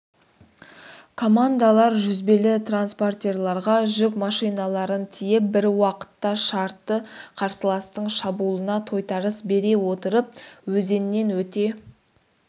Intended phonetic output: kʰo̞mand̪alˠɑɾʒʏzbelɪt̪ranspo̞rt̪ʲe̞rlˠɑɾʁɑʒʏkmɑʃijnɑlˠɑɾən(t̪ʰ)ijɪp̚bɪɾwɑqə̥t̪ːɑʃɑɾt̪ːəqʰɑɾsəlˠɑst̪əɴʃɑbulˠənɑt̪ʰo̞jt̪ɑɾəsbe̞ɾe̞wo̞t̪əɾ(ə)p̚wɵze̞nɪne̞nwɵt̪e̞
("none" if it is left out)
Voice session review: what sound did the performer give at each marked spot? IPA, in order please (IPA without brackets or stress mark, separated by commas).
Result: t̪ʰ, ə